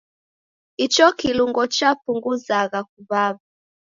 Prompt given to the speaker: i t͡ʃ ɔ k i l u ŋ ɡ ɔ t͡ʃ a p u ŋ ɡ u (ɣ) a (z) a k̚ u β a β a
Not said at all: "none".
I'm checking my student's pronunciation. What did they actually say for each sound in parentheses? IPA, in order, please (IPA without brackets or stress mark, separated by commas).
z, ɣ